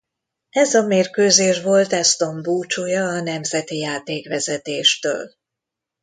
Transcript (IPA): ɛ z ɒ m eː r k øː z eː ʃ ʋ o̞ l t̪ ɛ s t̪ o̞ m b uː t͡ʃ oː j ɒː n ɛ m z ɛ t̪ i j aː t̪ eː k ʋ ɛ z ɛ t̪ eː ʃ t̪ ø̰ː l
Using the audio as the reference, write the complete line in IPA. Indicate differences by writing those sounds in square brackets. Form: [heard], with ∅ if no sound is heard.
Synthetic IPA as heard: ɛ z ɒ m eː r k øː z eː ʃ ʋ o̞ l t̪ ɛ s t̪ o̞ m b uː t͡ʃ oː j ɒː n ɛ m z ɛ t̪ i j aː t̪ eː k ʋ ɛ z ɛ t̪ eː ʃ t̪ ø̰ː l